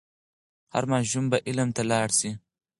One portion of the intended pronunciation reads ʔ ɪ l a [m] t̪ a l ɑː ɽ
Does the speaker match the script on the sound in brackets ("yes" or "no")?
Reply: yes